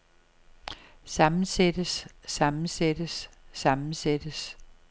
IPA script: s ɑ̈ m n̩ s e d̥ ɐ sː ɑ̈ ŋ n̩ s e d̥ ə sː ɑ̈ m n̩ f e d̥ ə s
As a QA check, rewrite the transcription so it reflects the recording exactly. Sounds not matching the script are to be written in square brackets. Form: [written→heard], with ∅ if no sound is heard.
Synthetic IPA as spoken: s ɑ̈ m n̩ s e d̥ [ɐ→ə] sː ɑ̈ [ŋ→m] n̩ s e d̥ ə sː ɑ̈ m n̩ [f→s] e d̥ ə s